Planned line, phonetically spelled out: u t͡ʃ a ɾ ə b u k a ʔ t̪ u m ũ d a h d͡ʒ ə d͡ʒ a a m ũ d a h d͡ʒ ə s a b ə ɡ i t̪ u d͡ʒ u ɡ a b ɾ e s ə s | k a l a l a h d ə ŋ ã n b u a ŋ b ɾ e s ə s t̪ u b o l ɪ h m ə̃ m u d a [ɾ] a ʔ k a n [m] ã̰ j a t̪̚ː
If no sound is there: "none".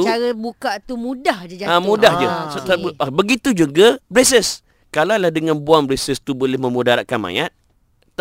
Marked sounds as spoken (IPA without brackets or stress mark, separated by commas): ɾ, m